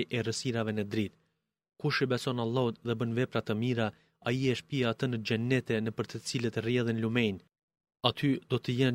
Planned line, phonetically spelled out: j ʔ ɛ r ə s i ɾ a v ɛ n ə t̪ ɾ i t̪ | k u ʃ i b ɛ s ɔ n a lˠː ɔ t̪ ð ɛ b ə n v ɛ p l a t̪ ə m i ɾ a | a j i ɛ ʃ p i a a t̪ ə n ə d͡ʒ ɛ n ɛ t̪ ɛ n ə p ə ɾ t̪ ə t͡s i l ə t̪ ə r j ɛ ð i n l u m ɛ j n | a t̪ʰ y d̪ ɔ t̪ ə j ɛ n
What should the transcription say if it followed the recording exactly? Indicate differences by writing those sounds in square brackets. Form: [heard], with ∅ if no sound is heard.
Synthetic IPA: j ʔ ɛ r ə s i ɾ a v ɛ n ə [d̪] ɾ i t̪ | k u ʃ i b ɛ s ɔ n a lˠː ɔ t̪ ð ɛ b ə n v ɛ p [ɾ] a t̪ ə m i ɾ a | a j i ɛ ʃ p i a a t̪ ə n ə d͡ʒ ɛ n ɛ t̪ ɛ n ə p ə ɾ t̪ ə t͡s i l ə t̪ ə r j ɛ ð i n l u m ɛ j n | a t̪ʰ y d̪ ɔ t̪ ə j ɛ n